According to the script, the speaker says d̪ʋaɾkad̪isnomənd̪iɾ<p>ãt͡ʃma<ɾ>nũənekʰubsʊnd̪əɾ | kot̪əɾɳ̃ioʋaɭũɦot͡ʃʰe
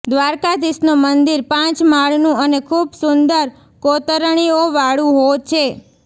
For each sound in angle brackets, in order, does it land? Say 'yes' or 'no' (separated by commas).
yes, no